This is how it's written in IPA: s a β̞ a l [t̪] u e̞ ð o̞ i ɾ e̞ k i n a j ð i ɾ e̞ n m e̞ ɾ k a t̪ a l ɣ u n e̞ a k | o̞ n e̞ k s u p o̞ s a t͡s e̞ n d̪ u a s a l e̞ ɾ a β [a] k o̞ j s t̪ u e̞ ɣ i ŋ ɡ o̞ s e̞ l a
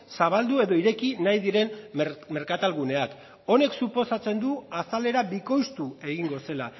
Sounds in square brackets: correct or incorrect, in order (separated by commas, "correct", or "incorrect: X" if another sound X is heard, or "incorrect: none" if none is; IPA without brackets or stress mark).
incorrect: d̪, incorrect: i